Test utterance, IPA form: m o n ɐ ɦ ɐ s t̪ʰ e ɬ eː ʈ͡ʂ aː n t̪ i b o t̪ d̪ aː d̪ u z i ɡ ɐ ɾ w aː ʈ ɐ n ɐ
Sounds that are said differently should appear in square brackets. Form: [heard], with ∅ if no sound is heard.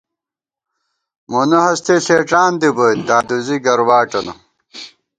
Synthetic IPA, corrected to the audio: m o n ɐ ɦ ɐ s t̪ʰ e ɬ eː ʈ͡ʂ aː n [d̪] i b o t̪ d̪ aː d̪ u z i ɡ ɐ ɾ w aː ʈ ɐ n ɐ